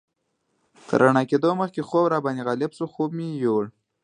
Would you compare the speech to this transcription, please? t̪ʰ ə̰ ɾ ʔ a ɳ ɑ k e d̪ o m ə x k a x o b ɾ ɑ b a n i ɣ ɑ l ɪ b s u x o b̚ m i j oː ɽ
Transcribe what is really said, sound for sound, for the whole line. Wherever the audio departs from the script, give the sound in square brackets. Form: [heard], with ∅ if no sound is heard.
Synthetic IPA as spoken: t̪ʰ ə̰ ɾ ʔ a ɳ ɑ k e d̪ o m ə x k [e] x o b ɾ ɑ b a n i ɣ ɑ l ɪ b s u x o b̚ m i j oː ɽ